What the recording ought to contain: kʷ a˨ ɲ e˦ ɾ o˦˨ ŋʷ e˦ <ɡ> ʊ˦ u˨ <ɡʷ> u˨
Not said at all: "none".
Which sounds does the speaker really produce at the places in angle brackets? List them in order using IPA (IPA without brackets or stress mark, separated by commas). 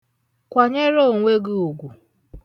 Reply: ɡ, ɡʷ